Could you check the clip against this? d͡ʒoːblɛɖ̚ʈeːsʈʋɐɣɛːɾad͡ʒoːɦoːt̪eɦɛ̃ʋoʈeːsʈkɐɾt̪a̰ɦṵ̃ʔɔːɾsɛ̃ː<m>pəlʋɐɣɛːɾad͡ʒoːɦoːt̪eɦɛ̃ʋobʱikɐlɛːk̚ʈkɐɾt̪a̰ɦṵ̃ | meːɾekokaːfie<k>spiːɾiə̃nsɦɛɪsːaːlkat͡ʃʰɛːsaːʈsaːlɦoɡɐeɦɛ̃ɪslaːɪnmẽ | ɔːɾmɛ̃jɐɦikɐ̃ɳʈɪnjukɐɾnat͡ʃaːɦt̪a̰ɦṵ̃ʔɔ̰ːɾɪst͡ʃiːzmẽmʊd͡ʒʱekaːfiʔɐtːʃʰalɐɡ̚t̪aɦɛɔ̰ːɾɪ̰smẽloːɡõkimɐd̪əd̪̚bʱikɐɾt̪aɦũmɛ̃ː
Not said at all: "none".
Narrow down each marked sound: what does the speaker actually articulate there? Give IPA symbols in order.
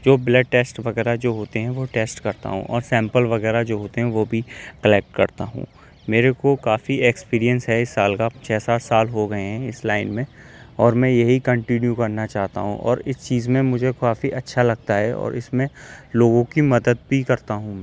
m, k

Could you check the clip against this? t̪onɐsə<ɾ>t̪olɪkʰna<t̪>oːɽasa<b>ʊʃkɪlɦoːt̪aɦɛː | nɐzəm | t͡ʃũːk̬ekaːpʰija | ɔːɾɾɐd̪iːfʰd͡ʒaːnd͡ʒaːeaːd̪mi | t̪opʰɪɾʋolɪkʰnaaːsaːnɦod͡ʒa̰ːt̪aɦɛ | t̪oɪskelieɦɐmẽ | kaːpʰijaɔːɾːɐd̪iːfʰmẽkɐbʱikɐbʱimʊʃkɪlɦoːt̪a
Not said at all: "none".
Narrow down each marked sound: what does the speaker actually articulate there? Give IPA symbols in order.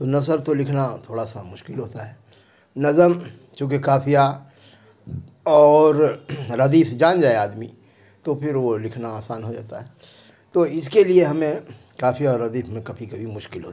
ɾ, t̪ʰ, m

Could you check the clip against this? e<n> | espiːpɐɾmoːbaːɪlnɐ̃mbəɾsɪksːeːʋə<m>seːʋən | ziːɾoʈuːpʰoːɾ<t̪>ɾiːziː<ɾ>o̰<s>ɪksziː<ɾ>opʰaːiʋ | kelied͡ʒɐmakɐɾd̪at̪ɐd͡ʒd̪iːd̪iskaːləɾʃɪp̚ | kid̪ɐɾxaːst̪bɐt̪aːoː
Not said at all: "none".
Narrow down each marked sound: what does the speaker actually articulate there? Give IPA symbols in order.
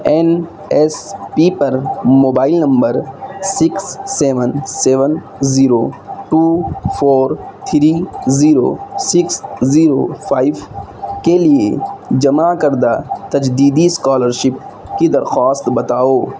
n, n, t̪ʰ, ɾ, s, ɾ

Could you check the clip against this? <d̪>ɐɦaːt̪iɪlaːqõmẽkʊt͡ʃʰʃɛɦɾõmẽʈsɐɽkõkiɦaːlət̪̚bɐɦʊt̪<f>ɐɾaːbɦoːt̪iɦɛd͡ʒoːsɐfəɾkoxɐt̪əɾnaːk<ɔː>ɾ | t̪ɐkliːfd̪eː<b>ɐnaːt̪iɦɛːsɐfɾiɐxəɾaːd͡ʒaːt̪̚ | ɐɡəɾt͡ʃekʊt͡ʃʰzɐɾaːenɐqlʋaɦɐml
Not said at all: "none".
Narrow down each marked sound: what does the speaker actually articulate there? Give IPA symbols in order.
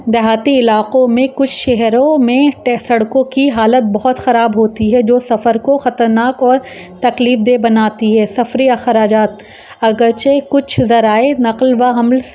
d̪, x, ɔː, b

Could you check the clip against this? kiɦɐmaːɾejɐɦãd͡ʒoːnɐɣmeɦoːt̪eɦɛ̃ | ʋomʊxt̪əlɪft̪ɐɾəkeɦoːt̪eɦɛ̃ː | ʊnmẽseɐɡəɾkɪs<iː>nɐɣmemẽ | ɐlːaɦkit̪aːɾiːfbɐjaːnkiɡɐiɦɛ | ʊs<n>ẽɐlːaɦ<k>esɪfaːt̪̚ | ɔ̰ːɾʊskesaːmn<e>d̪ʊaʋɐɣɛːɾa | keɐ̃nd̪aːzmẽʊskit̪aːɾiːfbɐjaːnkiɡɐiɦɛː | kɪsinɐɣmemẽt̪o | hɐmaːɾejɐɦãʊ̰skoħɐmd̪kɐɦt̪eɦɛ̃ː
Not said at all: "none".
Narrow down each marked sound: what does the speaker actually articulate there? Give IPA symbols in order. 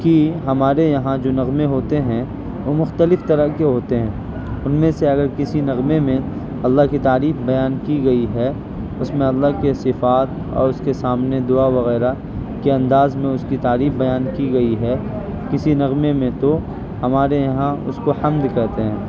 i, m, k, e

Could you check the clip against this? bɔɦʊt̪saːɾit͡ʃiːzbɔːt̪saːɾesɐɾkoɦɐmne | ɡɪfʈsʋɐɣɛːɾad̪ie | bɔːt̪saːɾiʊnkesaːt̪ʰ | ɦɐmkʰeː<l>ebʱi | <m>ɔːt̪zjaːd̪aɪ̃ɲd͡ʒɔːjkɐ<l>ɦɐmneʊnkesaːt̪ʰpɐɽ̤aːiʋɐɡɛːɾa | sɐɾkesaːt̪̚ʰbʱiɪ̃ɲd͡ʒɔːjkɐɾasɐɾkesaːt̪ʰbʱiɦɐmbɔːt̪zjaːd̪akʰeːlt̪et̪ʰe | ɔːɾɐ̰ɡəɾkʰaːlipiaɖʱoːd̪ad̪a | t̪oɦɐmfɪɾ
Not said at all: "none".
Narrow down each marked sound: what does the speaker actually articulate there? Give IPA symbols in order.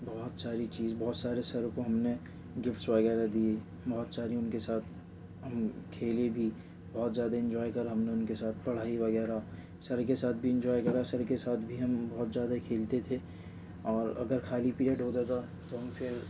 l, b, ɾ

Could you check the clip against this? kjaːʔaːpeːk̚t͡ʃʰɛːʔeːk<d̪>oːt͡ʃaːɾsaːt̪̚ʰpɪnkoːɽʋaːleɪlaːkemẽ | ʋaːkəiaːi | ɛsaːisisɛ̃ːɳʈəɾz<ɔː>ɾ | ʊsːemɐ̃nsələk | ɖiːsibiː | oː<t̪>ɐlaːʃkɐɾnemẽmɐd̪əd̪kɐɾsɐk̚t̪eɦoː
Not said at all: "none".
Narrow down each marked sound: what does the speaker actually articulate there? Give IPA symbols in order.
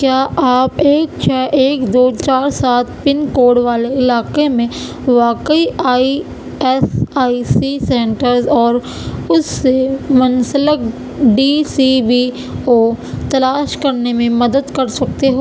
d̪, ɔː, t̪

